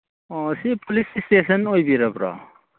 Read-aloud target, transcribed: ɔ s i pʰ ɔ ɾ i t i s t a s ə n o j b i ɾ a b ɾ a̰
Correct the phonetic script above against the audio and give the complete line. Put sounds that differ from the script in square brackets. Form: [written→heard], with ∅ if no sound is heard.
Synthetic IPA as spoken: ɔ s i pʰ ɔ [ɾ→l] i [t→s] i s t [a→e] s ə n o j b i ɾ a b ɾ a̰